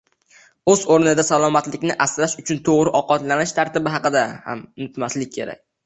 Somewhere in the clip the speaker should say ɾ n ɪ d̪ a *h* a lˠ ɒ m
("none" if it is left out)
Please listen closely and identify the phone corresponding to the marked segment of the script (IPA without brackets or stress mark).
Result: s